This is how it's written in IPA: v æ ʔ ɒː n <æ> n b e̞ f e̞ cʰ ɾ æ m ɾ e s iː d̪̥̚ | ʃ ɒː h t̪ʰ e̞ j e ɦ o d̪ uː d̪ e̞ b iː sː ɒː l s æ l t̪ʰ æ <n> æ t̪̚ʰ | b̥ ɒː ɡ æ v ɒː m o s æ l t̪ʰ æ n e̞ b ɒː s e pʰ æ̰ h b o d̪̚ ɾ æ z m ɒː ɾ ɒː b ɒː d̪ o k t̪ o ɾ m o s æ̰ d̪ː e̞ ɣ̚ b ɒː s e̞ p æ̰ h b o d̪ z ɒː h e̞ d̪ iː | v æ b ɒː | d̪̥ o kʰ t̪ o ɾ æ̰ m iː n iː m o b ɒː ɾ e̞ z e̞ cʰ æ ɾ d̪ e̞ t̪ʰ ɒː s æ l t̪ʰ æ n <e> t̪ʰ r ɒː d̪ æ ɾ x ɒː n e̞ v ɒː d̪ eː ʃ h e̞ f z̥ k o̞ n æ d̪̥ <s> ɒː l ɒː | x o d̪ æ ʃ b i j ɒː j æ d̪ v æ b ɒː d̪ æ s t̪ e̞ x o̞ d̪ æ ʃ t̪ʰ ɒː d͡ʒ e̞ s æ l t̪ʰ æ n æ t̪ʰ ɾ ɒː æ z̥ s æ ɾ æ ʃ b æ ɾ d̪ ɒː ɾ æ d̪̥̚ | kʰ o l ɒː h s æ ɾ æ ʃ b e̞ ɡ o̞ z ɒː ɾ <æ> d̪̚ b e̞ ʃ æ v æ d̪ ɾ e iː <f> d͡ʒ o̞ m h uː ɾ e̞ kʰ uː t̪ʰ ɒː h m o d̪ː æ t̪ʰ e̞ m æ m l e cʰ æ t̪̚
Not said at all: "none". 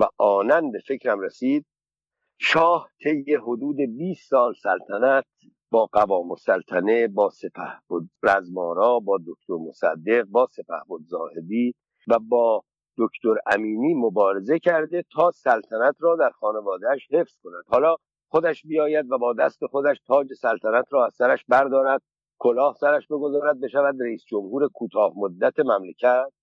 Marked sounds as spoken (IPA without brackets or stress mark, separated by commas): æ, n, æ, h, æ, s